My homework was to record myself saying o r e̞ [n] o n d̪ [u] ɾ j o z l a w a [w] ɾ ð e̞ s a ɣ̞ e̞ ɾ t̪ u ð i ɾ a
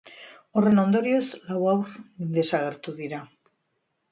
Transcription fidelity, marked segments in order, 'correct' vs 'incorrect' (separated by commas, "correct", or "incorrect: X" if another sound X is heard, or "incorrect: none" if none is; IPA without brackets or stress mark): correct, incorrect: o, correct